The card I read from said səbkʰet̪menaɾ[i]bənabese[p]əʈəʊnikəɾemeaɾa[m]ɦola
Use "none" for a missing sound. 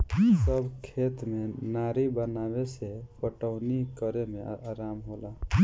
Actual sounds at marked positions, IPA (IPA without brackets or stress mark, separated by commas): i, p, m